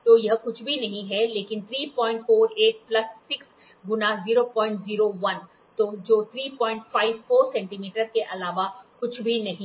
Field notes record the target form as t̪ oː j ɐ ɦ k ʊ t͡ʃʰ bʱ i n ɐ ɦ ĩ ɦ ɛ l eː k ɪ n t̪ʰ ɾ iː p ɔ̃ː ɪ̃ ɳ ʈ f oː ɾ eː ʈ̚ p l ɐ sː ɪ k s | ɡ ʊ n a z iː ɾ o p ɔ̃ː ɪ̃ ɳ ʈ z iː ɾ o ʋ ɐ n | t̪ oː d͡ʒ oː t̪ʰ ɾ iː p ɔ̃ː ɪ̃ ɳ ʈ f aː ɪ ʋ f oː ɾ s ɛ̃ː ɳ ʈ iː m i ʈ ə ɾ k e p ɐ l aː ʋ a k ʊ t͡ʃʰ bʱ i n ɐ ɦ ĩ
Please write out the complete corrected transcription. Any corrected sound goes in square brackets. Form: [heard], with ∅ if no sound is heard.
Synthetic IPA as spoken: t̪ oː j ɐ ɦ k ʊ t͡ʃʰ bʱ i n ɐ ɦ ĩ ɦ ɛ l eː k ɪ n t̪ʰ ɾ iː p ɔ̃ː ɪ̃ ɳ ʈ f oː ɾ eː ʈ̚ p l ɐ sː ɪ k s | ɡ ʊ n a z iː ɾ o p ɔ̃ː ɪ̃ ɳ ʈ z iː ɾ o ʋ ɐ n | t̪ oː d͡ʒ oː t̪ʰ ɾ iː p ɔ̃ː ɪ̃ ɳ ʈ f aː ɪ ʋ f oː ɾ s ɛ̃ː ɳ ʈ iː m [iː] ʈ ə ɾ k e [ʔ] ɐ l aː ʋ a k ʊ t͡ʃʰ bʱ i n ɐ ɦ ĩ